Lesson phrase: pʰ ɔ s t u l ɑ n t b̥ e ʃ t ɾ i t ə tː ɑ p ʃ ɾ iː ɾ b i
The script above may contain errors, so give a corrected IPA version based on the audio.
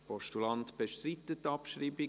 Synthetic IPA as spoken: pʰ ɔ ʃ t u l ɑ n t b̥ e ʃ t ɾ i t ə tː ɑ p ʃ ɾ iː b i